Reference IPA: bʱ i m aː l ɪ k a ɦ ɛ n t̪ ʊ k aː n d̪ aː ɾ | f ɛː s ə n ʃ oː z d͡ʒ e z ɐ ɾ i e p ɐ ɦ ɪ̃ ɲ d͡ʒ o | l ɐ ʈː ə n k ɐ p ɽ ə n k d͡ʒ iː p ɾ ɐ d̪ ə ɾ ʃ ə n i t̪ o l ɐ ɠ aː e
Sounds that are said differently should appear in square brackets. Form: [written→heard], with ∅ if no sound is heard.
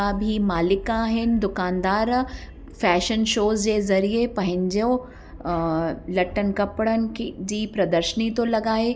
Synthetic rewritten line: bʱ i m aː l ɪ k a ɦ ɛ n [t̪→d̪] ʊ k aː n d̪ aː ɾ | f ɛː [s→ʃ] ə n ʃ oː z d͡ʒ e z ɐ ɾ i e p ɐ ɦ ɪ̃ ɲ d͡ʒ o | l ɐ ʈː ə n k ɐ p ɽ ə n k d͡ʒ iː p ɾ ɐ d̪ ə ɾ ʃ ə n i t̪ o l ɐ [ɠ→ɡ] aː e